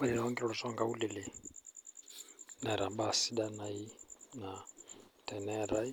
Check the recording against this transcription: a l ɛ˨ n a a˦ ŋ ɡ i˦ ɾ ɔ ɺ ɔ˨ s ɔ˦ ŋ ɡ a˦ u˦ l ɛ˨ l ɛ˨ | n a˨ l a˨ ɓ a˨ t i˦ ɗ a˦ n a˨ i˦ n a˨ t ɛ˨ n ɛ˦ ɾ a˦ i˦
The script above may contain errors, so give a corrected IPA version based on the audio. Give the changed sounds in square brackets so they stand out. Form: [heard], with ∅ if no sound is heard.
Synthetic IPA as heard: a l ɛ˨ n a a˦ ŋ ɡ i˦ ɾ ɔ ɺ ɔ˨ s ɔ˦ ŋ ɡ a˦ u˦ l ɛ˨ l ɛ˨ | n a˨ [ɾ] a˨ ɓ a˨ [s] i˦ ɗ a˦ n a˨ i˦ n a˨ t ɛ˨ n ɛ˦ ɾ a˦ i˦